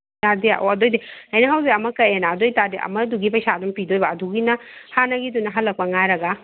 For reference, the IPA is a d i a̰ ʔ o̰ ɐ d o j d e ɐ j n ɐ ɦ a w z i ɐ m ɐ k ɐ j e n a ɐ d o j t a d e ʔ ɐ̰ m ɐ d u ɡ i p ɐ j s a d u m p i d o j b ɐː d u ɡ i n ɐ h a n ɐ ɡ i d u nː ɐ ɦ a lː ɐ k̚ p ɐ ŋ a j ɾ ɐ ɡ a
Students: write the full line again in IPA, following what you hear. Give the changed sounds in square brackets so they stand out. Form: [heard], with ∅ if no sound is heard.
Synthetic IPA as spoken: a d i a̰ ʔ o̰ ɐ d o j d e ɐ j n ɐ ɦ a w z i ɐ m ɐ k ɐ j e n a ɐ d o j t a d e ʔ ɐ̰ m ɐ d u ɡ i p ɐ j s a d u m p i d o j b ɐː d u ɡ i n ɐ h a n ɐ ɡ i d u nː ɐ ɦ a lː ɐ k̚ p ɐ ŋ a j ɾ ɐ ɡ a